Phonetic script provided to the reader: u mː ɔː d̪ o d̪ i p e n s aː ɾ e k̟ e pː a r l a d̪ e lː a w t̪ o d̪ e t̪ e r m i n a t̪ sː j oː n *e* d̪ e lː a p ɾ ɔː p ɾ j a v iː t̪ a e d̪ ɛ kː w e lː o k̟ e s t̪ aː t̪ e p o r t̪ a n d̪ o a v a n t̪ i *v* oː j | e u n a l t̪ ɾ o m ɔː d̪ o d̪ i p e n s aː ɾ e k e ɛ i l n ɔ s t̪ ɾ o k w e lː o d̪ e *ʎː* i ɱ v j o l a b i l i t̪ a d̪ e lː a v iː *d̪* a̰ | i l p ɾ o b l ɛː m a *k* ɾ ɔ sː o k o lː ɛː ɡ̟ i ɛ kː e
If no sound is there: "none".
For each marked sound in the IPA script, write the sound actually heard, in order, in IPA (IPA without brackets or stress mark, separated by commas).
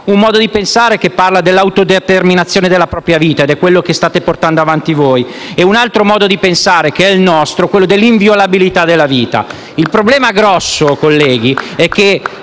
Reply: e, v, lː, t̪, ɡ